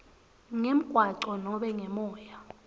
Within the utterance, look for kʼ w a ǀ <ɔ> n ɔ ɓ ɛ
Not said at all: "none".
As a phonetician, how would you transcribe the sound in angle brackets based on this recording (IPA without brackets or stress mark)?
ɔ